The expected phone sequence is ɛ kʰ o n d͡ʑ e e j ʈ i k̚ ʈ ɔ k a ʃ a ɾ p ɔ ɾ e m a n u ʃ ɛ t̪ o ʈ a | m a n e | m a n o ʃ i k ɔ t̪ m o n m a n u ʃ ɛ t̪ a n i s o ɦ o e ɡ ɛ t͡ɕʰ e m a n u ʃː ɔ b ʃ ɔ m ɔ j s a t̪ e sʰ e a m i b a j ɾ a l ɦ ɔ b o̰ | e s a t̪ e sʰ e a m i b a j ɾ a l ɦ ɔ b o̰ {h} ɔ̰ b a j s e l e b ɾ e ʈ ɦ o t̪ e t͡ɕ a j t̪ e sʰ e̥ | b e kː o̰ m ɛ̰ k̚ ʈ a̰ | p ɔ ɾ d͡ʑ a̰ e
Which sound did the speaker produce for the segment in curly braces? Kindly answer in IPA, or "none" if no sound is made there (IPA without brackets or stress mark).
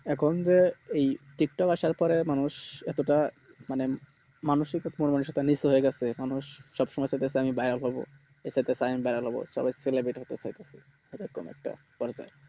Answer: ʃ